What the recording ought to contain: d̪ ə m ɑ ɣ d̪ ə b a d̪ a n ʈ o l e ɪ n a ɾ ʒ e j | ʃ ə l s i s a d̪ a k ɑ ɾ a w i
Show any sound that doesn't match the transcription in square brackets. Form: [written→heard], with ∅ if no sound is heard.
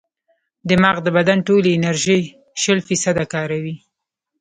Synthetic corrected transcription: d̪ ə m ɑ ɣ d̪ ə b a d̪ a n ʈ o l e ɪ n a ɾ ʒ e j | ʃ ə l [s→f] i s a d̪ a k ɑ ɾ a w i